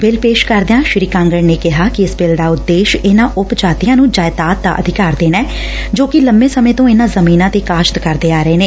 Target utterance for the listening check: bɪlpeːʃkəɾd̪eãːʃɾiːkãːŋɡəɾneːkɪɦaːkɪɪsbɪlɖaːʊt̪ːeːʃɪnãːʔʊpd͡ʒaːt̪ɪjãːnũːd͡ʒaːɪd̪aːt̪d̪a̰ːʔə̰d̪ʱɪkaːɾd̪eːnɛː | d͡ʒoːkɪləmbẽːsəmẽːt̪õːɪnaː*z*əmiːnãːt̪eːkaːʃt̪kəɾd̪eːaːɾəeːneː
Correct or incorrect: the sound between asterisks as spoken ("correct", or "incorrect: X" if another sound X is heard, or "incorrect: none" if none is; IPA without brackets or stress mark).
correct